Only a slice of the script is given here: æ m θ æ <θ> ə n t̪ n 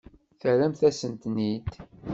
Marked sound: incorrect: s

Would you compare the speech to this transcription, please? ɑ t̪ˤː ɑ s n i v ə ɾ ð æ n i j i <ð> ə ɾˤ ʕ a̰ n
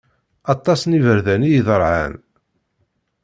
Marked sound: correct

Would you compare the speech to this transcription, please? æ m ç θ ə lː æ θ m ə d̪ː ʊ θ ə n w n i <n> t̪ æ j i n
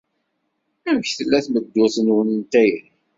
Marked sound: correct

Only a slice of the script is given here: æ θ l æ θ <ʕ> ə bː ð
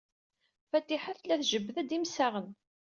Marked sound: incorrect: ʒ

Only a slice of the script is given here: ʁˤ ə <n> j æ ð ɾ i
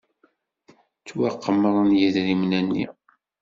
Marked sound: correct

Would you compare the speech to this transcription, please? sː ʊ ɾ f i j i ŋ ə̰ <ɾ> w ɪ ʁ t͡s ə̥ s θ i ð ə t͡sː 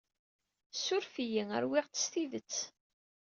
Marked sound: correct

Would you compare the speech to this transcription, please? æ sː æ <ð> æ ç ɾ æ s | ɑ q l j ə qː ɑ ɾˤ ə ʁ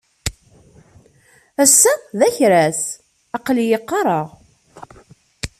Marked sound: correct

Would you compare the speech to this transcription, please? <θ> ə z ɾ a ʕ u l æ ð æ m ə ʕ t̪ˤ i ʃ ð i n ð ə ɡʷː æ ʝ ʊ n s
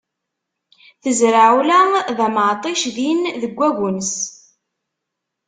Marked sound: correct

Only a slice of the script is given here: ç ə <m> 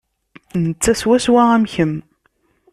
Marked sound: correct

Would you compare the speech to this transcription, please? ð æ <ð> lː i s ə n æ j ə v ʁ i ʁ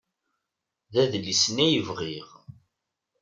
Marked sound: correct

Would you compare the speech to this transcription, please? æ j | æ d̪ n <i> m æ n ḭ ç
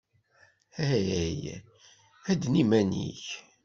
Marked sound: correct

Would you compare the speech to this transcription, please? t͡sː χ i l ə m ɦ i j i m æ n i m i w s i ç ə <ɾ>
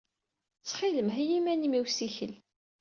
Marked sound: incorrect: l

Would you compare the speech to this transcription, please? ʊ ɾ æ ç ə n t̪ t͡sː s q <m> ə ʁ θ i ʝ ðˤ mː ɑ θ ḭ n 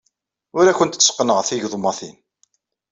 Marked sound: incorrect: n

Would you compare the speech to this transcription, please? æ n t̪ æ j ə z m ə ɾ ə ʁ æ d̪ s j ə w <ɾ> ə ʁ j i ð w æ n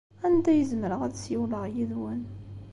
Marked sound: incorrect: l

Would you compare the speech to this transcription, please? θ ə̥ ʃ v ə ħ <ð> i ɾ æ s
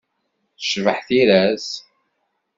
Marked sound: incorrect: θ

